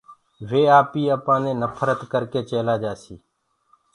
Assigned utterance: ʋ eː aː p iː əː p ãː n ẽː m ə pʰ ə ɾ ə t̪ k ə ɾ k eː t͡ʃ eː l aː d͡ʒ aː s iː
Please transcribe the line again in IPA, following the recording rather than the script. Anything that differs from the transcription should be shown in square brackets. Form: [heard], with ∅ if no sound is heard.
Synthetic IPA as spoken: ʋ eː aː p iː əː p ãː n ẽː [n] ə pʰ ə ɾ ə t̪ k ə ɾ k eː t͡ʃ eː l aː d͡ʒ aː s iː